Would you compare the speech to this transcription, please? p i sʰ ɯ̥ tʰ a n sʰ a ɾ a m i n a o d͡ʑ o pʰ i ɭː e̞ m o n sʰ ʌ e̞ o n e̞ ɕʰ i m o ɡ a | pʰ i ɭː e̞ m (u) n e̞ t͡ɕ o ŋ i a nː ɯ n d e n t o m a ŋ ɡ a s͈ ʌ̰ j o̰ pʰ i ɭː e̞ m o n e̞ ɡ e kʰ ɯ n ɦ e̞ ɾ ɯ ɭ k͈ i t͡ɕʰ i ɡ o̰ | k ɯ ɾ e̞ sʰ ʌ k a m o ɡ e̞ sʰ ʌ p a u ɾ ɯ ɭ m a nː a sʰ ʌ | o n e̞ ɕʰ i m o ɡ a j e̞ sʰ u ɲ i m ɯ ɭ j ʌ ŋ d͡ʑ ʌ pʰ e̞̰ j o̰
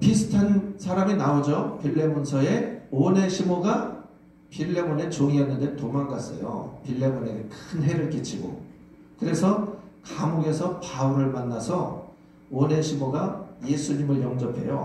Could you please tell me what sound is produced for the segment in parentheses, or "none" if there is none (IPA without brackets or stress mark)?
o